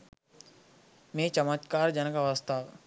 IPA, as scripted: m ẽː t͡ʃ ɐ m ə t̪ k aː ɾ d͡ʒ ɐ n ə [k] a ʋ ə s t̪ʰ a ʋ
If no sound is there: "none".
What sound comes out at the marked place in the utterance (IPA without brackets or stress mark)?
k